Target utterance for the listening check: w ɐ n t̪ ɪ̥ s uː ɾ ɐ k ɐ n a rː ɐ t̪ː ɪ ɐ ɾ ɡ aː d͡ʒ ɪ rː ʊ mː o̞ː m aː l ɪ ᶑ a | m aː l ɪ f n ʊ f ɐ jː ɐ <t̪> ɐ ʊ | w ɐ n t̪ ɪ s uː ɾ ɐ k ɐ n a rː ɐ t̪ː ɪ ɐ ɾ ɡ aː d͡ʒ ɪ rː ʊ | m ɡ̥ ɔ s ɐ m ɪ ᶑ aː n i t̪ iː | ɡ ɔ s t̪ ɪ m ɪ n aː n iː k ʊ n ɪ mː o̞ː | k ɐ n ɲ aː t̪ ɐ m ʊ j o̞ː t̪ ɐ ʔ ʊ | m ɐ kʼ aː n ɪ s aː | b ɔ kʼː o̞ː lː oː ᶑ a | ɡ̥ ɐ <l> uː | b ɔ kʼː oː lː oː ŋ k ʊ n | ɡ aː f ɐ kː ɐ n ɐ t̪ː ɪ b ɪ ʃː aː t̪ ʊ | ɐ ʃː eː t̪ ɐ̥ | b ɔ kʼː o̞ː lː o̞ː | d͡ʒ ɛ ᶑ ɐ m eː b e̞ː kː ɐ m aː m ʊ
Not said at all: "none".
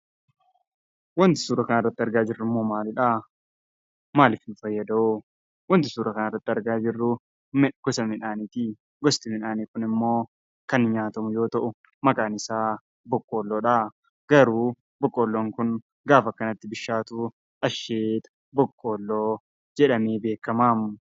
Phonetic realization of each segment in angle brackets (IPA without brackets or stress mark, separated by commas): d̪, ɾ